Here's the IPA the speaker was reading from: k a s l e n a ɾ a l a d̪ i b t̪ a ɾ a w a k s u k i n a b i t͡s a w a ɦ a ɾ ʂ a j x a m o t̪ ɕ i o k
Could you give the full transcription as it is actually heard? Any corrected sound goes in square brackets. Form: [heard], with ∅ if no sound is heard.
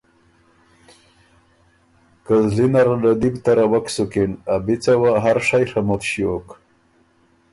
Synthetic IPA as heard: k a [z] l [i] n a ɾ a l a d̪ i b t̪ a ɾ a w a k s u k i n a b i t͡s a w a ɦ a ɾ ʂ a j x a m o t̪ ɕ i o k

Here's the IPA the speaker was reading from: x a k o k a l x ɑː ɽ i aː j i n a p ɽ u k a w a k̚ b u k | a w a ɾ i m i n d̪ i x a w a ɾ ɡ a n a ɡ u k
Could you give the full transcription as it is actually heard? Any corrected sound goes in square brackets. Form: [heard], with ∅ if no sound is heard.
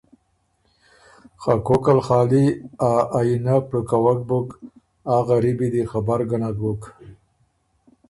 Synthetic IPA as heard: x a k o k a l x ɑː [l] i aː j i n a p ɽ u k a w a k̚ b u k | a [ɣ] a ɾ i [b] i [∅] d̪ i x a [b] a ɾ ɡ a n a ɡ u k

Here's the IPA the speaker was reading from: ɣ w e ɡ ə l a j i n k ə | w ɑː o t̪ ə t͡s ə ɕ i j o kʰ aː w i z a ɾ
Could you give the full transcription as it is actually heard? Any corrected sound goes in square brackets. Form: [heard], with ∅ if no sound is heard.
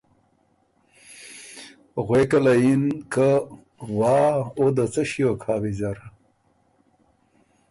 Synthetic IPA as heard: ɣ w e [k] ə l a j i n k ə | w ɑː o [d̪] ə t͡s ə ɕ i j o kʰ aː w i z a ɾ

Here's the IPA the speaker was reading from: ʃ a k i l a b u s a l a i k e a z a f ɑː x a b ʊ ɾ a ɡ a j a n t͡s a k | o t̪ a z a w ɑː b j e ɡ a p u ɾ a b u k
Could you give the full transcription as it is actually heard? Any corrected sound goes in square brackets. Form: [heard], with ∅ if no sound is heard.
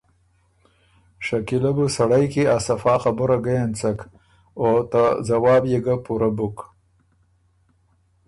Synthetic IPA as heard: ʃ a k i l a b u s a [ɽ] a [j] k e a [s] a f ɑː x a b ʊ ɾ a ɡ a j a n t͡s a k | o t̪ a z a w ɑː b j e ɡ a p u ɾ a b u k

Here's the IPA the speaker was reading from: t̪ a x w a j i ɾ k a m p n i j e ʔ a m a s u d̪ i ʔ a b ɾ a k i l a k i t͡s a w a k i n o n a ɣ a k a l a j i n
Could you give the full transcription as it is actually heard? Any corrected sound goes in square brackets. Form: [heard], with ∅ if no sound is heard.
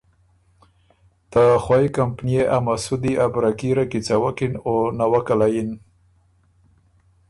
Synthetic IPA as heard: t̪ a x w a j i [∅] k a m p n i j e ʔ a m a s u d̪ i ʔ a b ɾ a k i [ɾ] a k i t͡s a w a k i n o n a [w] a k a l a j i n

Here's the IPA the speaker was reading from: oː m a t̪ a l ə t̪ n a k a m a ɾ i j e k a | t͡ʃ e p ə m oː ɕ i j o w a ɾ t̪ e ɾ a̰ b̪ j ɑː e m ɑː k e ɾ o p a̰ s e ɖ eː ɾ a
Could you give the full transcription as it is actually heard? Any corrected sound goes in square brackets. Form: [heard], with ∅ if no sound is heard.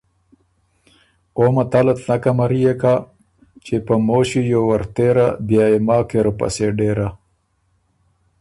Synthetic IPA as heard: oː m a t̪ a l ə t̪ n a k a m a ɾ i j e k a | t͡ʃ e p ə m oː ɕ i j o w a ɾ t̪ e ɾ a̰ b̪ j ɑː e m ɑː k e ɾ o p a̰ s e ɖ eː ɾ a

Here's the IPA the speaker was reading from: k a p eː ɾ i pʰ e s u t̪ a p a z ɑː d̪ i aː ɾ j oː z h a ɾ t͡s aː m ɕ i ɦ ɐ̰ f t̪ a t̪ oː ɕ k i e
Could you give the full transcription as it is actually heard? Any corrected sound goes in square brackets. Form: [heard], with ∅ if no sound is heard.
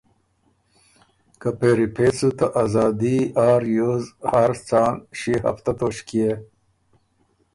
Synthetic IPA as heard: k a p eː ɾ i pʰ e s u t̪ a [ʔ] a z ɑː d̪ i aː ɾ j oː z h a ɾ t͡s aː [n] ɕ i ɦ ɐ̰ f t̪ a t̪ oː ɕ k i e

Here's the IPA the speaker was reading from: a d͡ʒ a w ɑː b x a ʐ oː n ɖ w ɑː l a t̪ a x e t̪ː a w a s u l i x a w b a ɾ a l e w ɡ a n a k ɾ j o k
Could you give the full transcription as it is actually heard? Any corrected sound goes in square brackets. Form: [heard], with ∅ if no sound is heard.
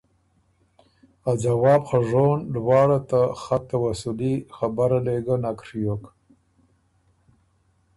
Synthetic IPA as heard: a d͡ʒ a w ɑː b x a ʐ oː n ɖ w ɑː [ɽ] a t̪ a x [a] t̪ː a w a s u l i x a [∅] b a ɾ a l e [∅] ɡ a n a k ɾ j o k

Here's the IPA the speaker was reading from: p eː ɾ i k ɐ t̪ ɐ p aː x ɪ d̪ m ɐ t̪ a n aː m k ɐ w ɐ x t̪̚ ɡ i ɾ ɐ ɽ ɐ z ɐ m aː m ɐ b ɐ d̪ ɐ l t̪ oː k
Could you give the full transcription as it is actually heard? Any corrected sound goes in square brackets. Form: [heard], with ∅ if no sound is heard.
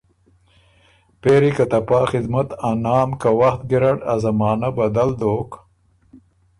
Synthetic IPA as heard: p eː ɾ i k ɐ t̪ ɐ p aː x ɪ d̪ m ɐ t̪ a n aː m k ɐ w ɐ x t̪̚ ɡ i ɾ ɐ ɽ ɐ z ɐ m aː [n] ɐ b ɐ d̪ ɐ l [d̪] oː k

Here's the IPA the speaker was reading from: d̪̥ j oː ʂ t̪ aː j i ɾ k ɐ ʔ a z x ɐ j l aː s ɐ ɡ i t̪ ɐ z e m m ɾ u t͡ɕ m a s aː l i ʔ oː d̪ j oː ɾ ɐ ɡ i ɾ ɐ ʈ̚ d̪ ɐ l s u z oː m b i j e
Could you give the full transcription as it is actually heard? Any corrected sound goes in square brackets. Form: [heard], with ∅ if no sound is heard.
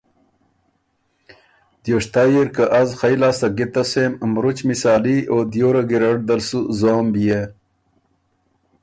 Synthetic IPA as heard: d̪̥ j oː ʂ t̪ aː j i ɾ k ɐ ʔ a z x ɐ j l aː s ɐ ɡ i t̪ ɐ [s] e m m ɾ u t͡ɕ m [i] s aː l i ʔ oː d̪ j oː ɾ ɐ ɡ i ɾ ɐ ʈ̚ d̪ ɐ l s u z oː m b i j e

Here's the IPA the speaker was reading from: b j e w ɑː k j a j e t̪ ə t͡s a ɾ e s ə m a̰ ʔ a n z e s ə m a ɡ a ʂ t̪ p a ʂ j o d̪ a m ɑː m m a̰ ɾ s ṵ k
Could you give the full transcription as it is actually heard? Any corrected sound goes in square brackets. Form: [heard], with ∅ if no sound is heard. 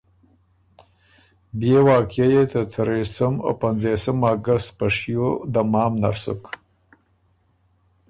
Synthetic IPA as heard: b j e w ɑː k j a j e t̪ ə t͡s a ɾ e s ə m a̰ [p] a n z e s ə m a ɡ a [s] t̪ p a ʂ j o d̪ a m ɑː m [n] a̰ ɾ s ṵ k

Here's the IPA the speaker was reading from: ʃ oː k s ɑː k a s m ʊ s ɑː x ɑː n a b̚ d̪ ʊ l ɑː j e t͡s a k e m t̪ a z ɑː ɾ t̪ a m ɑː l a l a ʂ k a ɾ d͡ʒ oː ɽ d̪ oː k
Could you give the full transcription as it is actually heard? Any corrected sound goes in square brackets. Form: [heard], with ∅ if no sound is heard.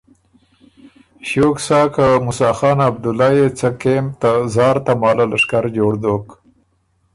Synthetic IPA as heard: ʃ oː k s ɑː k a [∅] m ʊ s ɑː x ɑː n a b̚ d̪ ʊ l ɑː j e t͡s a k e m t̪ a z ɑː ɾ t̪ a m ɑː l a l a ʂ k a ɾ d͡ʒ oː ɽ d̪ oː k

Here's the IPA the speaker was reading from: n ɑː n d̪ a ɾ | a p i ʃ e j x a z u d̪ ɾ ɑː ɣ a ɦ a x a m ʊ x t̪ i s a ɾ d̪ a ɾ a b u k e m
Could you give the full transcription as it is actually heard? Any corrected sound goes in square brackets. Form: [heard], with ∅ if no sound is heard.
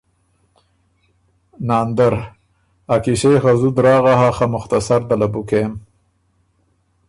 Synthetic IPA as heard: n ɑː n d̪ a ɾ | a [k] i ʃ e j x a z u d̪ ɾ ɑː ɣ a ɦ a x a m ʊ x t̪ [a] s a ɾ d̪ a [l] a b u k e m

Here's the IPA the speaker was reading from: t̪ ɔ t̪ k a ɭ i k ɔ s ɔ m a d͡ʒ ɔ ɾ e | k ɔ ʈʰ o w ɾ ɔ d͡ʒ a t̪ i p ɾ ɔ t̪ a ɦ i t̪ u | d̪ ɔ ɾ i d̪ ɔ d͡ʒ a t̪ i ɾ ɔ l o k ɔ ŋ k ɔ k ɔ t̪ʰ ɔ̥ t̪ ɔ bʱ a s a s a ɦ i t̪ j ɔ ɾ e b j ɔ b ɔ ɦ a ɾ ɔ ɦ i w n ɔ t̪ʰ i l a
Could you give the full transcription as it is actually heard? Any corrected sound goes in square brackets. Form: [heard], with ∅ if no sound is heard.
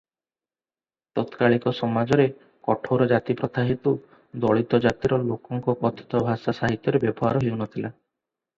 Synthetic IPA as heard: t̪ ɔ t̪ k a ɭ i k ɔ s ɔ m a d͡ʒ ɔ ɾ e | k ɔ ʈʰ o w ɾ ɔ d͡ʒ a t̪ i p ɾ ɔ t̪ a ɦ i t̪ u | d̪ ɔ [ɭ] i [t̪] ɔ d͡ʒ a t̪ i ɾ ɔ l o k ɔ ŋ k ɔ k ɔ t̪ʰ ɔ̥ t̪ ɔ bʱ a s a s a ɦ i t̪ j ɔ ɾ e b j ɔ b ɔ ɦ a ɾ ɔ ɦ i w n ɔ t̪ʰ i l a

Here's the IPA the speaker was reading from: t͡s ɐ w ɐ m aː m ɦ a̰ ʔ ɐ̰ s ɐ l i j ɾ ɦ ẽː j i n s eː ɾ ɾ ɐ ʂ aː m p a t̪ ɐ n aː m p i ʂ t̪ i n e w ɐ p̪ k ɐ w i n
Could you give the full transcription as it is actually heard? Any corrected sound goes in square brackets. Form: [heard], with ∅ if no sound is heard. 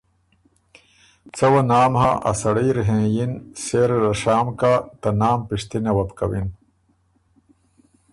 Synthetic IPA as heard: t͡s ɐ w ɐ [n] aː m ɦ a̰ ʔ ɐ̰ s ɐ [ɽ] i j ɾ ɦ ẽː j i n s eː ɾ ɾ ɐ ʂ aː m [k] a t̪ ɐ n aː m p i ʂ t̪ i n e w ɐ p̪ k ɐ w i n

